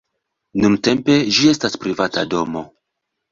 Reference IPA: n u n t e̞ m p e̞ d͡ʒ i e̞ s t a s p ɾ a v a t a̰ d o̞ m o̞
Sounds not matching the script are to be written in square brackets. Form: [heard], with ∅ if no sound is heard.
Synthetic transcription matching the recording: n u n t e̞ m p e̞ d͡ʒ i e̞ s t a s p ɾ [i] v a t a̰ d o̞ m o̞